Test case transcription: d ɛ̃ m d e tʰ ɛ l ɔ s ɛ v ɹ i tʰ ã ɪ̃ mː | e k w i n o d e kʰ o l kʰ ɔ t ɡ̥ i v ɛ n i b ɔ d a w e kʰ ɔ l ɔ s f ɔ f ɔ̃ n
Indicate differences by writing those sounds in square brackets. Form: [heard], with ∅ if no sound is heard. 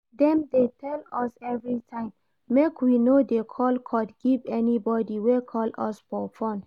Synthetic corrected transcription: d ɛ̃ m d e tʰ ɛ l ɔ s ɛ v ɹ i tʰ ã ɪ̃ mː | e k w i n o d e kʰ [ɔ] l kʰ ɔ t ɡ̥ i v ɛ n i b ɔ d [i] w e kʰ ɔ l ɔ s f ɔ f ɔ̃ n